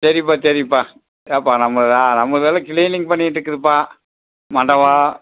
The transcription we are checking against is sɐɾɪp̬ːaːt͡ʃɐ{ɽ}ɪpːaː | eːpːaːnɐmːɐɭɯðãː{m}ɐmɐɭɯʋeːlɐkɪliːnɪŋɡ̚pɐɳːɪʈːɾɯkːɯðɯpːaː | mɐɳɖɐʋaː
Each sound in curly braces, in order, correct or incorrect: incorrect, incorrect

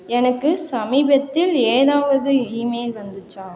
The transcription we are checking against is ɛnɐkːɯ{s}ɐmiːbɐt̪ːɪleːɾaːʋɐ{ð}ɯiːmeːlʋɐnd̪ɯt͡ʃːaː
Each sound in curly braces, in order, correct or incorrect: correct, correct

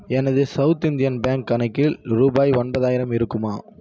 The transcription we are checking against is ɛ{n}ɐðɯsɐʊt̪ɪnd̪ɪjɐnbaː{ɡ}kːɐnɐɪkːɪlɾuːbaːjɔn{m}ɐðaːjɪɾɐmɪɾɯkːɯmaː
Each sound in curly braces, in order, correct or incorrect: correct, incorrect, incorrect

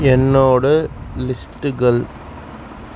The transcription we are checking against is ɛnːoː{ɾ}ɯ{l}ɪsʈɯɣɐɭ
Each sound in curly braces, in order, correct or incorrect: incorrect, correct

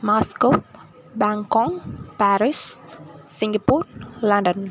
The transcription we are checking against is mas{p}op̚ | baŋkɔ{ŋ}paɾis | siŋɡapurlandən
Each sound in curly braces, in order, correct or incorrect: incorrect, correct

